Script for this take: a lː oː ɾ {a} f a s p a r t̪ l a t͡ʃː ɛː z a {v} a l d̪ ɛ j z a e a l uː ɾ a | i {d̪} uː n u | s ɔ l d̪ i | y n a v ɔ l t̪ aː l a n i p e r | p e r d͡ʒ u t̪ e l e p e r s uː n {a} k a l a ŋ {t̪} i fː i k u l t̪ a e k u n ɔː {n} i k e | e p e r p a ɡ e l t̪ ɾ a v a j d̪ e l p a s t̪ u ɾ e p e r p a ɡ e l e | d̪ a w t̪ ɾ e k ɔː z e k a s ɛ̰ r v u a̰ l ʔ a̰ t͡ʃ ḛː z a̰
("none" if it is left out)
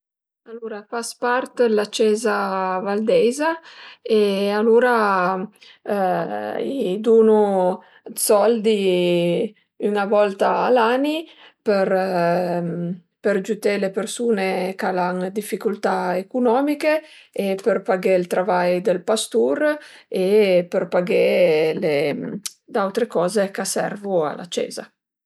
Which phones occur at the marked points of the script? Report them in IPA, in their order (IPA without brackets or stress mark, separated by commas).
a, v, d̪, e, d̪, m